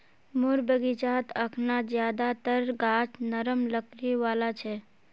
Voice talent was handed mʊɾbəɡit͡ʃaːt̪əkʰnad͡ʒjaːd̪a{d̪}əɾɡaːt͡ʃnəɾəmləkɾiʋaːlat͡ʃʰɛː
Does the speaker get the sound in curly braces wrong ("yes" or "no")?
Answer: yes